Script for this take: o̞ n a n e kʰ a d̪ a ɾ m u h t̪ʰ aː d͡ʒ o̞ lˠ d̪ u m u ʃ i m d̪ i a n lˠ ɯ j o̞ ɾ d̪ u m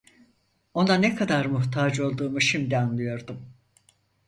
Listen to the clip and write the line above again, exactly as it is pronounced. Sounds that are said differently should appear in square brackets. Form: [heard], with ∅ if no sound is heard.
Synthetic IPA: o̞ n a n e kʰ a d̪ a ɾ m u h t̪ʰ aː d͡ʒ o̞ lˠ d̪ [uː] m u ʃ i m d̪ i a n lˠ ɯ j o̞ ɾ d̪ u m